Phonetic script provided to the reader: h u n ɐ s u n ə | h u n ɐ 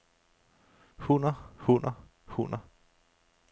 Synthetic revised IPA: h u n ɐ h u n ɐ | h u n ɐ